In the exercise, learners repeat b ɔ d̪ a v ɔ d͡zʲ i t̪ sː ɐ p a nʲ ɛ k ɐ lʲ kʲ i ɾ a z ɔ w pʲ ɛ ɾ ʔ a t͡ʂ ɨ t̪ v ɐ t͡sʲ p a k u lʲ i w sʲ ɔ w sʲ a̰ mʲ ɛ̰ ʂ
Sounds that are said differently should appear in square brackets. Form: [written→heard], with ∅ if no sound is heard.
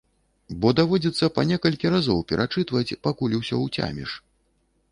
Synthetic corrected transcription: b ɔ d̪ a v ɔ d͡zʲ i t̪ sː ɐ p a nʲ ɛ k ɐ lʲ kʲ i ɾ a z ɔ w pʲ ɛ ɾ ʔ a t͡ʂ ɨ t̪ v ɐ t͡sʲ p a k u lʲ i w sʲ ɔ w [sʲ→t͡sʲ] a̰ mʲ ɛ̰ ʂ